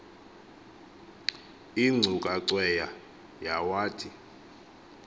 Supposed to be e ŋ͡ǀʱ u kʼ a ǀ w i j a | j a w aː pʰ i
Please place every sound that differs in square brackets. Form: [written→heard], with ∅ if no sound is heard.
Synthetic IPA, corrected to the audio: [e→i] ŋ͡ǀʱ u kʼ a ǀ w [i→ɛ] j a | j a w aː [pʰ→tʰ] i